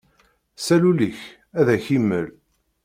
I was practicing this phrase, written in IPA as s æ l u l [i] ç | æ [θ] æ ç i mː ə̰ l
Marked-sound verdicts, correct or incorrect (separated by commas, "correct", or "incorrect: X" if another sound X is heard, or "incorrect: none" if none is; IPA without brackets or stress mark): correct, incorrect: ð